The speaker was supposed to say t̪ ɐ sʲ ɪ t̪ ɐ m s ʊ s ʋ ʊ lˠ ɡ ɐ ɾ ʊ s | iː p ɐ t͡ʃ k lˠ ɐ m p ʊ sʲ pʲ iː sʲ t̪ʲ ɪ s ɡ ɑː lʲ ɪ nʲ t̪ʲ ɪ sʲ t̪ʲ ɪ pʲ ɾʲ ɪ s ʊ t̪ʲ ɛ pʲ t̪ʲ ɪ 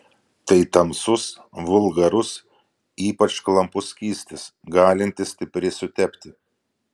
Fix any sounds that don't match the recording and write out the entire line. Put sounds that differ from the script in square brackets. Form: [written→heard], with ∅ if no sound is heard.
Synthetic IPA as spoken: t̪ ɐ [sʲ→∅] ɪ t̪ ɐ m s ʊ s ʋ ʊ lˠ ɡ ɐ ɾ ʊ s | iː p ɐ t͡ʃ k lˠ ɐ m p ʊ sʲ [pʲ→kʲ] iː sʲ t̪ʲ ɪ s ɡ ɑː lʲ ɪ nʲ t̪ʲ ɪ sʲ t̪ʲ ɪ pʲ ɾʲ ɪ s ʊ t̪ʲ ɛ pʲ t̪ʲ ɪ